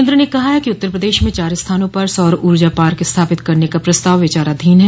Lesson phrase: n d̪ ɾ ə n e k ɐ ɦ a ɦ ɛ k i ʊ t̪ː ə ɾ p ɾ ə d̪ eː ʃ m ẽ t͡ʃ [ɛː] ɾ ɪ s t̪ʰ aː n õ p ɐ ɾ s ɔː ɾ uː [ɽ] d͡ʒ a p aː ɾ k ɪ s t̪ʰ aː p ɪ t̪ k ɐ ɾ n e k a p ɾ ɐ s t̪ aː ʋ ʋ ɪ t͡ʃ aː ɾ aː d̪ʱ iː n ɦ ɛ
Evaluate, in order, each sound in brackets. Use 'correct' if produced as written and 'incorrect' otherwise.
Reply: incorrect, incorrect

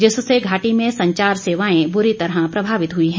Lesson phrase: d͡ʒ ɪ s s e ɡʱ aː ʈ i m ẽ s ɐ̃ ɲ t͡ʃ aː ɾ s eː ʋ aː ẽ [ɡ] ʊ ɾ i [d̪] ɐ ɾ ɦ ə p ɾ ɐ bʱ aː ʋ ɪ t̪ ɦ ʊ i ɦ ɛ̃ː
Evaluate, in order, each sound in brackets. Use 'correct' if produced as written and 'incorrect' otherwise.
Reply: incorrect, incorrect

